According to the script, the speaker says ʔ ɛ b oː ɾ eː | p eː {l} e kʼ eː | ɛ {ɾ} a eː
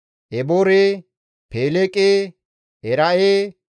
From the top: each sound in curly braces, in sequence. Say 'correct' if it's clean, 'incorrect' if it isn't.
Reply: correct, correct

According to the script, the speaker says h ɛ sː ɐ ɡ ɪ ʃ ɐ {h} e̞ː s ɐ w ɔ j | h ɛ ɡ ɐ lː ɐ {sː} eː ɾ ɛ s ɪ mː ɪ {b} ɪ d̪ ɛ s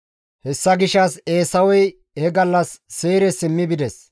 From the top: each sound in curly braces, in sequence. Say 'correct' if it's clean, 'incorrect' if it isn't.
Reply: incorrect, correct, correct

